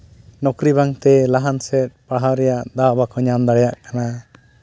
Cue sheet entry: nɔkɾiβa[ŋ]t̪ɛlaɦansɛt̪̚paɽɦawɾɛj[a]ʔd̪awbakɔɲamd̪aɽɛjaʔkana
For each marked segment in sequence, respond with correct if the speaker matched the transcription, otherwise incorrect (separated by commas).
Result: correct, correct